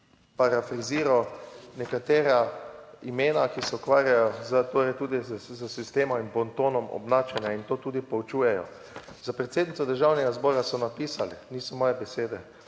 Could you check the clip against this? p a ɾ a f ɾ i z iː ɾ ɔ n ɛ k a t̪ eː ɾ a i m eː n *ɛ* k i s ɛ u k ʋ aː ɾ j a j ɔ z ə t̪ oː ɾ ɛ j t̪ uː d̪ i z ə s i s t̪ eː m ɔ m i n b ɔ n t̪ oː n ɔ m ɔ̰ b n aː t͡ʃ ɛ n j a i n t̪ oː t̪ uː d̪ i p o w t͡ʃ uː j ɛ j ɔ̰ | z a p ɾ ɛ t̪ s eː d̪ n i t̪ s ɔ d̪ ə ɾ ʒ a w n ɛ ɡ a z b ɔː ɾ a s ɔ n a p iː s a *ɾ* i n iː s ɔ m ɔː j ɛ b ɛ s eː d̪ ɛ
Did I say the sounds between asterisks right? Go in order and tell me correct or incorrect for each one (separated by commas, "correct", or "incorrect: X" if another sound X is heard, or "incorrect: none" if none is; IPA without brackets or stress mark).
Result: incorrect: a, incorrect: l